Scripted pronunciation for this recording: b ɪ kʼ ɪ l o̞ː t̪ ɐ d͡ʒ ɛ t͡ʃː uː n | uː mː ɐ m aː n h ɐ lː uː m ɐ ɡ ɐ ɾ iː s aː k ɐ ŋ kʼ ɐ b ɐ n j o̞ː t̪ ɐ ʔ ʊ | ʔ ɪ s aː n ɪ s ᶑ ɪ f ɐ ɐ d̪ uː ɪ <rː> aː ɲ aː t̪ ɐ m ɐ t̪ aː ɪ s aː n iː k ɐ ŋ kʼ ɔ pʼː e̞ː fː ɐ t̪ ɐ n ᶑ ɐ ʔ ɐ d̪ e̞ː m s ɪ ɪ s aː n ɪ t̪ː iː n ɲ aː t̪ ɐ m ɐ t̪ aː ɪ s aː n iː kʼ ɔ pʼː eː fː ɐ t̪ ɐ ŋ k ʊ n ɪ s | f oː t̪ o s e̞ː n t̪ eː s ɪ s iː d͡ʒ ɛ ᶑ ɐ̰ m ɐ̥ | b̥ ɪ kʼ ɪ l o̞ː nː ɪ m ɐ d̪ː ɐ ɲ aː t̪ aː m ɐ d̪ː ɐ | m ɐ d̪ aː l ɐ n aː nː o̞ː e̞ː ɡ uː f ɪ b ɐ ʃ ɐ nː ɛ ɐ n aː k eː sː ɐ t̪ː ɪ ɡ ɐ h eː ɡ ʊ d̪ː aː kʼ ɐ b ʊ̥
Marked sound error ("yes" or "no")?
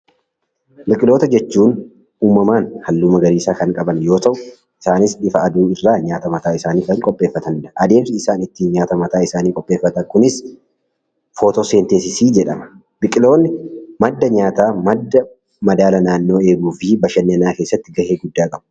no